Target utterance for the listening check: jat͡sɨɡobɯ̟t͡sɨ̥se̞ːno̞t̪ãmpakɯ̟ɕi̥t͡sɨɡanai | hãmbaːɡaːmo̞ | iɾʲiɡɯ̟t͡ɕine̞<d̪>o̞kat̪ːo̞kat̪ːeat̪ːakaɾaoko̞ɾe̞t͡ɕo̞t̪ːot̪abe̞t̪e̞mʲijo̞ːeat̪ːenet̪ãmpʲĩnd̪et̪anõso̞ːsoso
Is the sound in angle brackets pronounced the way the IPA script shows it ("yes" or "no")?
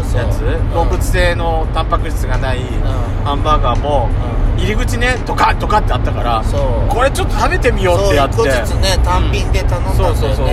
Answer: no